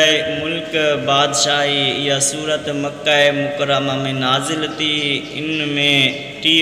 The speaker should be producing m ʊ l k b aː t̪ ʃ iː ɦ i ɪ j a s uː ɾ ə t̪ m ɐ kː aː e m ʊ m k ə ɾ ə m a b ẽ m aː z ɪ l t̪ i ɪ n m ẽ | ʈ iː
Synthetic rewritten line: m ʊ l k b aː d̪ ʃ aː ɦ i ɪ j a s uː ɾ ə t̪ m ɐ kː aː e m ʊ k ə ɾ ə m a m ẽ n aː z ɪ l t̪ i ɪ n m ẽ | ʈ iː